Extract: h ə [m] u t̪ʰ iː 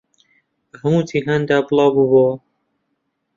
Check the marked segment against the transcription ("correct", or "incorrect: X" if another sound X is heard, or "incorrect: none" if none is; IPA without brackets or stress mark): correct